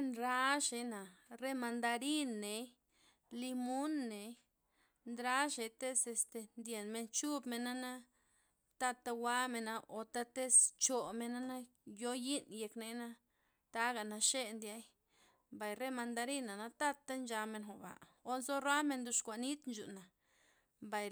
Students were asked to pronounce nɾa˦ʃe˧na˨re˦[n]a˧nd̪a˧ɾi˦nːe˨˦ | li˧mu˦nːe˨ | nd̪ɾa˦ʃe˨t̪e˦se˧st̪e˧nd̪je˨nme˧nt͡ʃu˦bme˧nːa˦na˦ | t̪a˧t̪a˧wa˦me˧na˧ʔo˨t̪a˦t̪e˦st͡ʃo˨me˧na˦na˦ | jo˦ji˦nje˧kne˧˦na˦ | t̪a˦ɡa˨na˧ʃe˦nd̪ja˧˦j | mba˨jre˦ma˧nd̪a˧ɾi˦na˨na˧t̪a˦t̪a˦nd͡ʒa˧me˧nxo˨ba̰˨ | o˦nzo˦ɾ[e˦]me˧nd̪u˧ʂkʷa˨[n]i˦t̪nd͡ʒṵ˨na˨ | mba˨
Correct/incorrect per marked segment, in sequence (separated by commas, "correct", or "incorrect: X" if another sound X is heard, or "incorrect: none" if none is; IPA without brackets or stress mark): incorrect: m, incorrect: a˦, correct